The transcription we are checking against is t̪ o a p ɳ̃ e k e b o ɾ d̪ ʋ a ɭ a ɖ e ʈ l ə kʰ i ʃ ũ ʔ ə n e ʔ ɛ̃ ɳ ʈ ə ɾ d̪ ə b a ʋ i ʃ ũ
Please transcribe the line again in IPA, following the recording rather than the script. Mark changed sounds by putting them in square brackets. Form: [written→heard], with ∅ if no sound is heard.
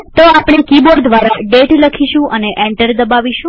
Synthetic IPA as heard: t̪ o a p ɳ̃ e k [e→i] b o ɾ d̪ ʋ a [ɭ→ɾ] a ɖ e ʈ l ə kʰ i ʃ ũ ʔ ə n e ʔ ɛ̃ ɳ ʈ ə ɾ d̪ ə b a ʋ i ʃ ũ